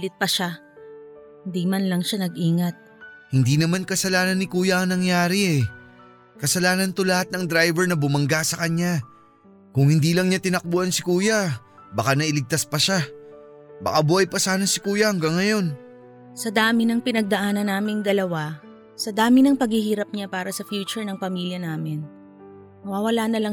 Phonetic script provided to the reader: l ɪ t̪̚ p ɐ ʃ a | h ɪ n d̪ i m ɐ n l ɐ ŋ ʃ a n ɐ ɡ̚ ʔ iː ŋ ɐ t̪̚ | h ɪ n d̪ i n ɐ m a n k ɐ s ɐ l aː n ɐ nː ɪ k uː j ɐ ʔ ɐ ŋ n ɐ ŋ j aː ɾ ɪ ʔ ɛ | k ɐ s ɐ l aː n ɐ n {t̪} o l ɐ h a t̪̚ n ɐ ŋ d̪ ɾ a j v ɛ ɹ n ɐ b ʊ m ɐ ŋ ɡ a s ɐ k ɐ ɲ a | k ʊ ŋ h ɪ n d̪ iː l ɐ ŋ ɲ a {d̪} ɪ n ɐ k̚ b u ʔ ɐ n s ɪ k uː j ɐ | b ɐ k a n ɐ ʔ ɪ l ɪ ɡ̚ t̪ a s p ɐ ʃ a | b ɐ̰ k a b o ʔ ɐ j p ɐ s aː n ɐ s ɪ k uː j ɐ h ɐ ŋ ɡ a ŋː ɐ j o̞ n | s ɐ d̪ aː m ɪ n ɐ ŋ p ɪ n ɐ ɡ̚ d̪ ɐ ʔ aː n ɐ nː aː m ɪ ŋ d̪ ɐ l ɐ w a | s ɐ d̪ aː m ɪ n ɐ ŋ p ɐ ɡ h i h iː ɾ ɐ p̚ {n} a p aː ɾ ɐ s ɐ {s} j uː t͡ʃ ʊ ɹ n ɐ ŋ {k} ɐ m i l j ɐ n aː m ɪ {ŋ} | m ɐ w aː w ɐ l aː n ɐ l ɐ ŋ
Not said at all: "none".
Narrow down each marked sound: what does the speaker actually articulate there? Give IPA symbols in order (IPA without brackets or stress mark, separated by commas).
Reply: t̪, t̪, ɲ, f, p, n